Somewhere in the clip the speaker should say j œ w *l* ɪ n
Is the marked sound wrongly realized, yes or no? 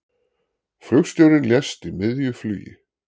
yes